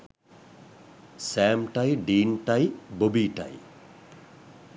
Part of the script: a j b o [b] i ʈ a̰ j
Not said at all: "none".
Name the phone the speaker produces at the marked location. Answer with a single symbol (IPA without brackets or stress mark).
b